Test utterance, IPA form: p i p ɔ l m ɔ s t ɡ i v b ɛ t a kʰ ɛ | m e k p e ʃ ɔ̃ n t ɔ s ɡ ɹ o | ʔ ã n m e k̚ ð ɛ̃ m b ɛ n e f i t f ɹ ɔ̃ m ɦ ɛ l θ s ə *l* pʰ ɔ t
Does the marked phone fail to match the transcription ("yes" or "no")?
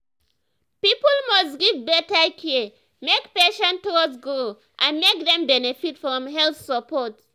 yes